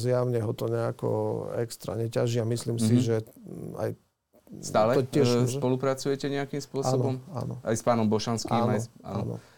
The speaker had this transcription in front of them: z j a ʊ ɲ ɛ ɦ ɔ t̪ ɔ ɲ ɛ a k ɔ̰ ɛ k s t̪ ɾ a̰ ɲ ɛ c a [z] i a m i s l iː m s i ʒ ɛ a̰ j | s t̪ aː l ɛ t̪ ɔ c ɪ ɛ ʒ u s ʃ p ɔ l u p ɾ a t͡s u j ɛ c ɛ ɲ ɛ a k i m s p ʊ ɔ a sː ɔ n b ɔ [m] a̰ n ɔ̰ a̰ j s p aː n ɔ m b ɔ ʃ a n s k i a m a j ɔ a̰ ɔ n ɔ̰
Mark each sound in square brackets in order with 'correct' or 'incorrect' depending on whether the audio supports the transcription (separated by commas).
incorrect, correct